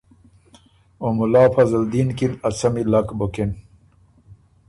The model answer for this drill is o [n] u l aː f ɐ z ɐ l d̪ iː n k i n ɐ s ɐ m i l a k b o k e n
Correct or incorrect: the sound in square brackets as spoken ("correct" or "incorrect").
incorrect